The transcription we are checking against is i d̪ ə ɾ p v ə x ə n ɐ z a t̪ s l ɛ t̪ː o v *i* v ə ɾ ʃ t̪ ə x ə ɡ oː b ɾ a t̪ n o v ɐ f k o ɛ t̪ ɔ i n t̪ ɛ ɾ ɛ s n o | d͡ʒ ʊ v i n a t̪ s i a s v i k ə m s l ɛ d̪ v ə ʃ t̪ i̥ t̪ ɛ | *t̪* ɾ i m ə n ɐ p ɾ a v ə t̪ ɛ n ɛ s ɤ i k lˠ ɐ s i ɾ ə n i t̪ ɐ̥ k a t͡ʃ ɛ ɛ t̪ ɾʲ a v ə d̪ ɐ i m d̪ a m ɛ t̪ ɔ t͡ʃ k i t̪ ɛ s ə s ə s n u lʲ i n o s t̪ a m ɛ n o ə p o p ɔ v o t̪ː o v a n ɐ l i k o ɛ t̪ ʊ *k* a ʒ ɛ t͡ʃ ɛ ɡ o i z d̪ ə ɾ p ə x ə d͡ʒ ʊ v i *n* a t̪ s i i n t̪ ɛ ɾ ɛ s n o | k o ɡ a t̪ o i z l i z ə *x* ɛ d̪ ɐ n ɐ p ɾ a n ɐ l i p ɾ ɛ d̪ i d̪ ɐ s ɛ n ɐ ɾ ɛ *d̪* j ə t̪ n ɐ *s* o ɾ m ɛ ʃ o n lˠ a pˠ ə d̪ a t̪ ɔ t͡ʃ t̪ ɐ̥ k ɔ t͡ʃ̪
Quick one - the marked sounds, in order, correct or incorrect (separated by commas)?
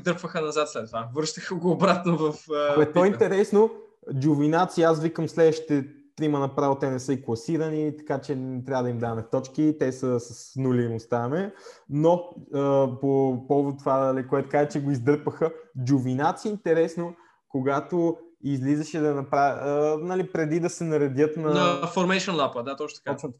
incorrect, correct, correct, correct, incorrect, correct, incorrect